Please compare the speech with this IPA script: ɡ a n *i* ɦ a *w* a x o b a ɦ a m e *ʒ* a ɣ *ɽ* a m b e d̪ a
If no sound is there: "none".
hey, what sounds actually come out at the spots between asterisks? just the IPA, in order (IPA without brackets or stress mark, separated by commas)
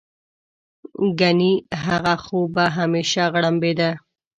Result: i, ɣ, ʃ, ɽ